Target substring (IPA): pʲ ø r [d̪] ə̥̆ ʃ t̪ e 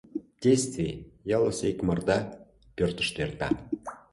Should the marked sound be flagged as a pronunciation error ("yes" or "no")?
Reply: yes